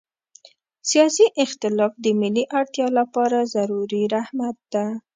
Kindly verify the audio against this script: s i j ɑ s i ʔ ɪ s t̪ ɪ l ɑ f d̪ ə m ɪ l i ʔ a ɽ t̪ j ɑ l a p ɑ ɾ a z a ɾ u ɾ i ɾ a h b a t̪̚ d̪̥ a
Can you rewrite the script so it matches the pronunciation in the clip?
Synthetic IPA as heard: s i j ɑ s i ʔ ɪ x t̪ ɪ l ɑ f d̪ ə m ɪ l i ʔ a ɽ t̪ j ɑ l a p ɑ ɾ a z a ɾ u ɾ i ɾ a h m a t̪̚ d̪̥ a

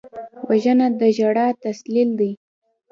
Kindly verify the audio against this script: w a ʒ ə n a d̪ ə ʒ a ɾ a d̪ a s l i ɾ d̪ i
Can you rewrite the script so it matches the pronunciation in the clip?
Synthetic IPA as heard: w a ʒ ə n a d̪ ə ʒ a ɽ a t̪ a s l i l d̪ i

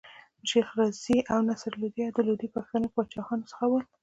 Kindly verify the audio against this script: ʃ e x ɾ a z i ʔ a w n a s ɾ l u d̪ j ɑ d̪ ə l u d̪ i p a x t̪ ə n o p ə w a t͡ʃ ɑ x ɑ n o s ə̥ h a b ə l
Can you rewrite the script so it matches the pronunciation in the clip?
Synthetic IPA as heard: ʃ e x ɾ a z i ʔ a w n a s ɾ l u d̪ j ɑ d̪ ə l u d̪ i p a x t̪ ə n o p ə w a t͡ʃ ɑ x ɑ n o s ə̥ x a w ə l

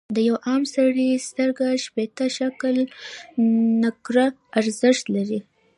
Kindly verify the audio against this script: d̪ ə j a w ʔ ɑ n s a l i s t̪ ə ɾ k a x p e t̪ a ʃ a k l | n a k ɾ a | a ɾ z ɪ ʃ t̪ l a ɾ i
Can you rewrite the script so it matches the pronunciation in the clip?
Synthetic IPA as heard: d̪ ə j a w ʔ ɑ m s a ɽ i s t̪ ə ɾ ɡ a ʃ p e t̪ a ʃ a k l | n a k ɾ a | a ɾ z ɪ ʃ t̪ l a ɾ i

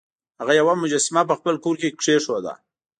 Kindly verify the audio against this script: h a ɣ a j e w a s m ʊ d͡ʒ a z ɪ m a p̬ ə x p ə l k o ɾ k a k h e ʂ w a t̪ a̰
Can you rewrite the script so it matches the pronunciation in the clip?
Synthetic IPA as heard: h a ɣ a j a w a m ʊ d͡ʒ a s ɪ m a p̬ ə x p ə l k o ɾ k e k ʂ e ʂ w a d̪ a̰

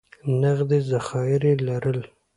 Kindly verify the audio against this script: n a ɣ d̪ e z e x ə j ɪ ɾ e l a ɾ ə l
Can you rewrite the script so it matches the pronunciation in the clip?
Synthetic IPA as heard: n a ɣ d̪ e z a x ɑ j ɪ ɾ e l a ɾ ə l

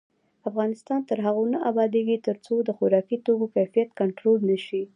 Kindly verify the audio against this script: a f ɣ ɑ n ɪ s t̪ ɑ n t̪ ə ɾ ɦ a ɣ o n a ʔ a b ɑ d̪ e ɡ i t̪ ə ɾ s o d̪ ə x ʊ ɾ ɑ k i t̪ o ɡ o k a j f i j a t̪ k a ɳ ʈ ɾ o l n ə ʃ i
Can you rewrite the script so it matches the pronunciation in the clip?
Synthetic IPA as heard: a f ɣ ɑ n ɪ s t̪ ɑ n t̪ ə ɾ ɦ a ɣ o n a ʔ a b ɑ d̪ e ɡ i t̪ ə ɾ t͡s o d̪ ə x ʊ ɾ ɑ k i t̪ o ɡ o k a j f i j a t̪ k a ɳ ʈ ɾ o l n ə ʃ i

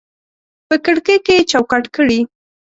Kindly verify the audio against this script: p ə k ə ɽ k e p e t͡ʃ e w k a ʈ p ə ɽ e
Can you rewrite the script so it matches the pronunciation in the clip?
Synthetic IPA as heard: p ə k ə ɽ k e k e t͡ʃ a w k a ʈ k ə ɽ i

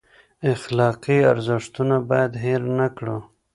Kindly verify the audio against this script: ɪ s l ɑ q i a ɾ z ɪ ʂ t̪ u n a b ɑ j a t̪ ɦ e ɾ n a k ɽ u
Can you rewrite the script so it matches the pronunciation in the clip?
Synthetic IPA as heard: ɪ x l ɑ q i a ɾ z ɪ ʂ t̪ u n a b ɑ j a d̪ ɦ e ɾ n a k ɽ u

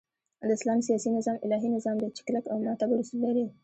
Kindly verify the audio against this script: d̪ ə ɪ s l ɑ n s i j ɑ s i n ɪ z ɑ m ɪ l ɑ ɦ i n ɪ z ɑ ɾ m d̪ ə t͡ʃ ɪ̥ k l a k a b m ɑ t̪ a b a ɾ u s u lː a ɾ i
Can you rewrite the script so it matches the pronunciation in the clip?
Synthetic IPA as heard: d̪ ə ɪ s l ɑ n s i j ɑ s i n ɪ z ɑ m ɪ l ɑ ɦ i n ɪ z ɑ m d̪ ə t͡ʃ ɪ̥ k l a k a w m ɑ t̪ a b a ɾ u s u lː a ɾ i

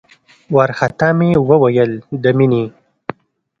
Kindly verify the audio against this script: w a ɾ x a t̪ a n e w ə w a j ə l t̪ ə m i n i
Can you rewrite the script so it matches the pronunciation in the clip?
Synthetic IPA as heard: w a ɾ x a t̪ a m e w ə w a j ə l d̪ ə m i n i

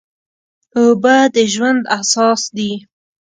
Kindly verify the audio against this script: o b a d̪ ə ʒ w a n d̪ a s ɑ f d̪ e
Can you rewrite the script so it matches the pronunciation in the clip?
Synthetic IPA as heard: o b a d̪ ə ʒ w a n d̪ a s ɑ s d̪ i

